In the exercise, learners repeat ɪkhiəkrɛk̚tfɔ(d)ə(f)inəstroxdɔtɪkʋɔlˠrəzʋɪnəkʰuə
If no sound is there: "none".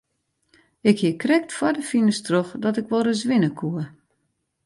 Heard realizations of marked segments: d, f

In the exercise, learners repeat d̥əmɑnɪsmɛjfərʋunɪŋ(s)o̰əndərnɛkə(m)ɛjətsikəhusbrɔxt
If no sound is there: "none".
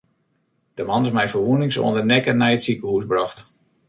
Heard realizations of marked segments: s, n

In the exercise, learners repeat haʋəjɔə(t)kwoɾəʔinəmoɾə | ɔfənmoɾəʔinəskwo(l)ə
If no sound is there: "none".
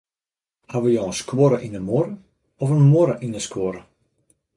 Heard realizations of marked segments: s, ɾ

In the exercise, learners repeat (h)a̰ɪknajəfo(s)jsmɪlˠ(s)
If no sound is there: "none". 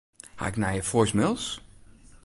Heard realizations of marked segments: h, none, s

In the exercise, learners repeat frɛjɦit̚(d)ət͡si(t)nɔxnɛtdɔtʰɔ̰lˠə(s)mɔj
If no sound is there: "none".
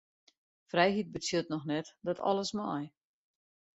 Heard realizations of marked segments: b, t, s

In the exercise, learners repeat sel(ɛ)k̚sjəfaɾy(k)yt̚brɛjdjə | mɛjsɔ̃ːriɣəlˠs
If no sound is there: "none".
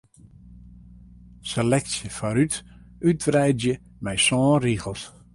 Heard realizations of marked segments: ɛ, t

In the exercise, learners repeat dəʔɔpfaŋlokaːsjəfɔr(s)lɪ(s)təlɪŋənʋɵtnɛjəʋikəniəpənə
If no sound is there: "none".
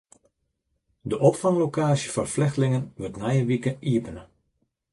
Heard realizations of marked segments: f, x

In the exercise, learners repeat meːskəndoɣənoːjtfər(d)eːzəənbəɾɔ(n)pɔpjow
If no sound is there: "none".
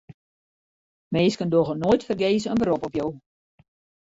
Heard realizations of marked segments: ɡ, none

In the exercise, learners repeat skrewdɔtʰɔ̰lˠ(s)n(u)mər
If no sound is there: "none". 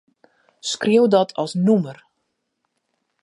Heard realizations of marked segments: s, u

